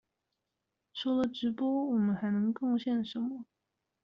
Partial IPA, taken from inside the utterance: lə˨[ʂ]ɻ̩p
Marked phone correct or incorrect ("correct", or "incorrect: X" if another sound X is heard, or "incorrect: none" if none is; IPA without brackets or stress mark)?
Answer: incorrect: ʈ͡ʂ